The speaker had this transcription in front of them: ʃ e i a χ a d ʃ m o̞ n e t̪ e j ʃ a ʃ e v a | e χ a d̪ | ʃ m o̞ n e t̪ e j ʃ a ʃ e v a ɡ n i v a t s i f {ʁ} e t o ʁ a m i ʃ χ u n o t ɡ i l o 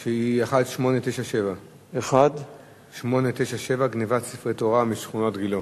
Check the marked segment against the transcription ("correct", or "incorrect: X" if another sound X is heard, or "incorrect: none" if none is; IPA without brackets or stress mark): correct